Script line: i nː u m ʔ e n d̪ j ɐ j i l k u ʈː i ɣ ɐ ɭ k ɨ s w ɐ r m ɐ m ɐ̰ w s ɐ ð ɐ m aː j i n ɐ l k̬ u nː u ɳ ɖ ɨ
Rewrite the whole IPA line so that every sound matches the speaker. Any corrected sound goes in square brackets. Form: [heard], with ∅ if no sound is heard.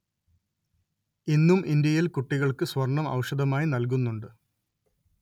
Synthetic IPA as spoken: i nː u m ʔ [i] n d̪ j ɐ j i l k u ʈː i ɣ ɐ ɭ k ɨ s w ɐ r [ɳ] ɐ m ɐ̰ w [ʂ] ɐ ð ɐ m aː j i n ɐ l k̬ u nː u ɳ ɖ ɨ